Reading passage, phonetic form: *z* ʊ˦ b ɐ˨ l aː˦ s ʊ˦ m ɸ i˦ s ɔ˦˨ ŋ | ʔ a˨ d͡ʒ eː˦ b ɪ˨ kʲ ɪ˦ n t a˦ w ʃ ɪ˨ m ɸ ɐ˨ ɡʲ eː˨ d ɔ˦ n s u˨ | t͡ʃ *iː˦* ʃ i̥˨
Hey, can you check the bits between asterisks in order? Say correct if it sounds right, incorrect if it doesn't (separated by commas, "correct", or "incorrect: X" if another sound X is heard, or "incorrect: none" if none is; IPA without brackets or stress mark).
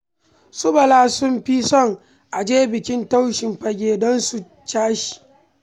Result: incorrect: s, incorrect: aː˦